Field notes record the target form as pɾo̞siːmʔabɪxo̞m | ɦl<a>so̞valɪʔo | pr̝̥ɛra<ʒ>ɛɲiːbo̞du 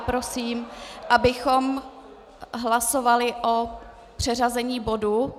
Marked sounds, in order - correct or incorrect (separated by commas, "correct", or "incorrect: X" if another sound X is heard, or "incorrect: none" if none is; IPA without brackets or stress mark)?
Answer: correct, incorrect: z